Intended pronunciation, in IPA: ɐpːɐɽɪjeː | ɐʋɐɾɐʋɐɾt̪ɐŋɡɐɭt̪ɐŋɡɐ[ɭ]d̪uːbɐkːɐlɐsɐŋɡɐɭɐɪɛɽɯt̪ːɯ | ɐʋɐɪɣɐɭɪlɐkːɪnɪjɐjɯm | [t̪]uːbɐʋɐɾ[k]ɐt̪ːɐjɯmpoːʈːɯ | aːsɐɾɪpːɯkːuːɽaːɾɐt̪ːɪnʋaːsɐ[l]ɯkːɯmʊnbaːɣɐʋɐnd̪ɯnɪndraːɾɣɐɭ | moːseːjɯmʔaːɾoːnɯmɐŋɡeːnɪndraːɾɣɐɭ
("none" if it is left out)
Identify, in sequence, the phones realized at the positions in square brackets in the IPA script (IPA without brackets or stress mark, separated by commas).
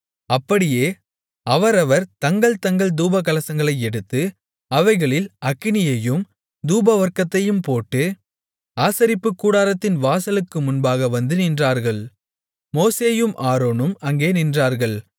ɭ, d̪, k, l